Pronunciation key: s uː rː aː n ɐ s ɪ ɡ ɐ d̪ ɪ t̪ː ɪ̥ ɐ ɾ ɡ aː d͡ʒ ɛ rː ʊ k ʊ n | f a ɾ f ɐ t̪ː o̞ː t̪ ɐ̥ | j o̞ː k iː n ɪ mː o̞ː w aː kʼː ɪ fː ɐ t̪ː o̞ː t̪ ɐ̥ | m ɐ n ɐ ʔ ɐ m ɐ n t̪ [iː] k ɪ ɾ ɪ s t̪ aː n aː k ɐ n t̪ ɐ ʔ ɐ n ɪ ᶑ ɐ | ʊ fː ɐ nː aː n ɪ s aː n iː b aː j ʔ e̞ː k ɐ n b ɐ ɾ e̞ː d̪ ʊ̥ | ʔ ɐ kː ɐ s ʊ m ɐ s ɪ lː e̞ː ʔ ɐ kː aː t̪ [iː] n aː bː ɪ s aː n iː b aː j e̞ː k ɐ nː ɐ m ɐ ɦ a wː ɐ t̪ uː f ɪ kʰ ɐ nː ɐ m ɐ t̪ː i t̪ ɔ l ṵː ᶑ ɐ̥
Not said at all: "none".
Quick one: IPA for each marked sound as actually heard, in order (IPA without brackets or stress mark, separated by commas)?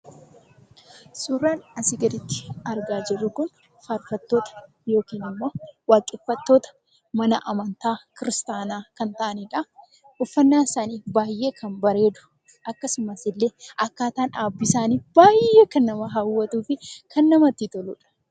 aː, aː